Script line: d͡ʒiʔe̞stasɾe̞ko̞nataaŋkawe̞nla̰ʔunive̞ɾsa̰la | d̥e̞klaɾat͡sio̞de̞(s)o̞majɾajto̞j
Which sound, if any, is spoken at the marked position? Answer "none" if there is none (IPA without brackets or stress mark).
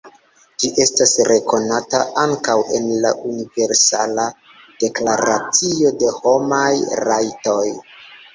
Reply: h